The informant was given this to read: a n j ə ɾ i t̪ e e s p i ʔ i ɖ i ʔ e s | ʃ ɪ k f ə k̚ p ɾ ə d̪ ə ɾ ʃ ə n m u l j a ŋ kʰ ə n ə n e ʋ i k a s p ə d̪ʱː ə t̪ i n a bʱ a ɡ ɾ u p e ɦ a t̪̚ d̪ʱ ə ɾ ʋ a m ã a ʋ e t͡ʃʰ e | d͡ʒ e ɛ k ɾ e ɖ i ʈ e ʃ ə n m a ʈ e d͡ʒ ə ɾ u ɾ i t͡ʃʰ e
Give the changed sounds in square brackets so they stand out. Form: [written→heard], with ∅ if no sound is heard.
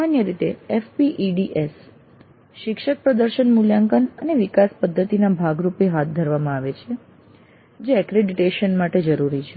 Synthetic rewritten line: a n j ə ɾ i t̪ e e [s→f] p i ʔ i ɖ i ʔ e s | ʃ ɪ k [f→ʃ] ə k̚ p ɾ ə d̪ ə ɾ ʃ ə n m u l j a ŋ [kʰ→k] ə n ə n e ʋ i k a s p ə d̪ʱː ə t̪ i n a bʱ a ɡ ɾ u p e ɦ a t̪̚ d̪ʱ ə ɾ ʋ a m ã a ʋ e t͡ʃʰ e | d͡ʒ e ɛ k ɾ e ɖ i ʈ e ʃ ə n m a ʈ e d͡ʒ ə ɾ u ɾ i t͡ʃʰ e